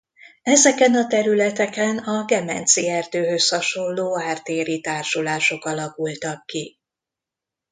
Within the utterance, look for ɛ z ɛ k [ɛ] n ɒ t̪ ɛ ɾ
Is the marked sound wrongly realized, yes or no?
no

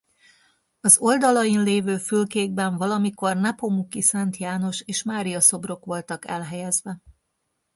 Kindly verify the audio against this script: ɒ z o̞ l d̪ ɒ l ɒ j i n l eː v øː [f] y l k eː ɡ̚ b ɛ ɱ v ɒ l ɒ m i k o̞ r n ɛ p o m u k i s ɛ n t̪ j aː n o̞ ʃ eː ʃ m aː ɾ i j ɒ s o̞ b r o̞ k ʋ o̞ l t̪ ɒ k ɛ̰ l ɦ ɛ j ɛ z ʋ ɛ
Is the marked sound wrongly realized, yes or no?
no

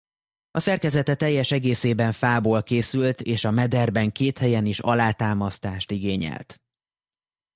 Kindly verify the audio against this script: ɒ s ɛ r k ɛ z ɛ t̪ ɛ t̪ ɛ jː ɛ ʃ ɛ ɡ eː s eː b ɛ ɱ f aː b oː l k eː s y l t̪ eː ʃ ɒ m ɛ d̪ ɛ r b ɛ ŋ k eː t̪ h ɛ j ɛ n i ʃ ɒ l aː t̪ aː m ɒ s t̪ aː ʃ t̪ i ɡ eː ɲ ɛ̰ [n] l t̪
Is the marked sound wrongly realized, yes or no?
yes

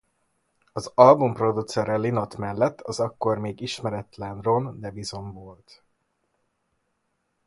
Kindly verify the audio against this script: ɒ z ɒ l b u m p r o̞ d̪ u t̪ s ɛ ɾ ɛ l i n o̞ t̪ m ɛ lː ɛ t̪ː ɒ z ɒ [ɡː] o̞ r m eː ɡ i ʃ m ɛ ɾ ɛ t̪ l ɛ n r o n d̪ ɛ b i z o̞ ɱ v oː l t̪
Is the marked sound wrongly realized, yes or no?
yes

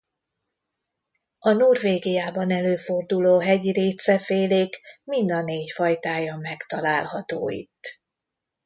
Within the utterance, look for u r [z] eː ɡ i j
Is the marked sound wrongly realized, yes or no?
yes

